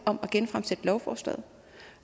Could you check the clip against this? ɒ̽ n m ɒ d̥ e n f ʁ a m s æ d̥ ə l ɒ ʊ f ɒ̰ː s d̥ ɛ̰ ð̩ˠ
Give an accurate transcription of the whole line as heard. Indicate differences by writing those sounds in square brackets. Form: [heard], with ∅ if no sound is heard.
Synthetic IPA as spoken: ɒ̽ [∅] m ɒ [ɡ̥] e n f ʁ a m s [e] d̥ ə l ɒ ʊ f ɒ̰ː s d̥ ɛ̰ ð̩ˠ